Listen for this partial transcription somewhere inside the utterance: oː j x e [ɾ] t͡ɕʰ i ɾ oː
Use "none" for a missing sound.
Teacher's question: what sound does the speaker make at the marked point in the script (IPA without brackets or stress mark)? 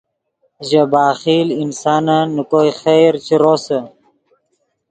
ɾ